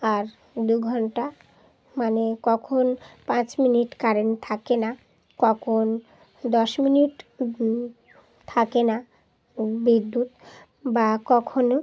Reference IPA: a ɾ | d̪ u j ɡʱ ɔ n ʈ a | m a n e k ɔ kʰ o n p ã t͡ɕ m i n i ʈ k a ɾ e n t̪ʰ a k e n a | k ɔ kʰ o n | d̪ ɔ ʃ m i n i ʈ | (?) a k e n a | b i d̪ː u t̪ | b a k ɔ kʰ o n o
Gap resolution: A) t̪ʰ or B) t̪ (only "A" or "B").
A